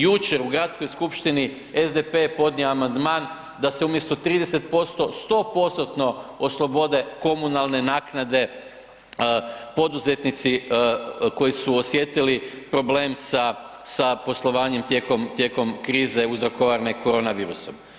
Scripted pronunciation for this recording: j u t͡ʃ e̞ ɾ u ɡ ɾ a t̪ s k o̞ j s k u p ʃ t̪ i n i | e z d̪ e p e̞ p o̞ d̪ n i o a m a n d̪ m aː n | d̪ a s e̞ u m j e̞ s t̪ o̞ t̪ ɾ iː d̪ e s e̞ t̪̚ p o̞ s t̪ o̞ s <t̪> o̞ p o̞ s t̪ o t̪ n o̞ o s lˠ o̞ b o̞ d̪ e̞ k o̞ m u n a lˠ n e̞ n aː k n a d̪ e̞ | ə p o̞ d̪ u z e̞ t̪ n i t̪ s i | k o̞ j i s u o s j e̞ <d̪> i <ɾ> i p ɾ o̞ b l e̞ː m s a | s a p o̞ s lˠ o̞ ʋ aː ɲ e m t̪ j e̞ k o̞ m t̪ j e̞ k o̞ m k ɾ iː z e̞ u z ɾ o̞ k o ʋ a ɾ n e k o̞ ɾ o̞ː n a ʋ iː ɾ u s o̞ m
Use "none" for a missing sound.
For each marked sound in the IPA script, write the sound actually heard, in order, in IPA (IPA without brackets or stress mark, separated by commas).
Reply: t̪, t̪, l